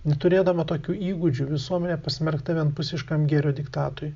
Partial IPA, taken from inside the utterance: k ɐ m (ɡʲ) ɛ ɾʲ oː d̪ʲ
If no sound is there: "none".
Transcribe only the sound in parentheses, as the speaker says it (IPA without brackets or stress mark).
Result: ɡʲ